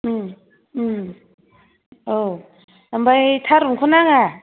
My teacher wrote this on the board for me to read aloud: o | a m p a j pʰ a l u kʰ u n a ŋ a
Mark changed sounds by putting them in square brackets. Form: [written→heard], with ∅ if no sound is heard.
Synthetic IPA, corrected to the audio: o | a m [p→b] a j [pʰ→tʰ] a [l→ɾ] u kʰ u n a ŋ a